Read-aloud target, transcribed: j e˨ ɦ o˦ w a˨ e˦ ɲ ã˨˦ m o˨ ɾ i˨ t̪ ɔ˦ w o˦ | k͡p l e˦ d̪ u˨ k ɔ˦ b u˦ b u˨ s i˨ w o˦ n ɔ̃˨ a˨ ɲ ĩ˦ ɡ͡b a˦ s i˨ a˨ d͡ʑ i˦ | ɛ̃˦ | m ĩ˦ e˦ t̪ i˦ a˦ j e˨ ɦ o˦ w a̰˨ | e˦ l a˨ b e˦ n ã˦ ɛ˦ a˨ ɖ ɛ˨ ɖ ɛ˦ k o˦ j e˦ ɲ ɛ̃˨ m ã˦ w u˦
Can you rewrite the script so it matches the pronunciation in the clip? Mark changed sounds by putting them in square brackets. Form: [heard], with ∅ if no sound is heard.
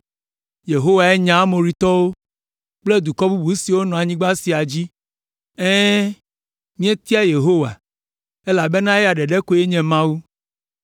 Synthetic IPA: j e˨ ɦ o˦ w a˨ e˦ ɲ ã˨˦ m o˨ ɾ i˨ t̪ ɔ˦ w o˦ | k͡p l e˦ d̪ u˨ k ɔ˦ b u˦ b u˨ s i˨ w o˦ n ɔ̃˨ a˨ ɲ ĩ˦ ɡ͡b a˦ s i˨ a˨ d͡ʑ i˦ | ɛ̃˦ | m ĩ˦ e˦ t̪ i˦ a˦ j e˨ ɦ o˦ w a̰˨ | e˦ l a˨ b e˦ n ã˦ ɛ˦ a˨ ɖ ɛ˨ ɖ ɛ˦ k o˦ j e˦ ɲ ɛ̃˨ m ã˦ w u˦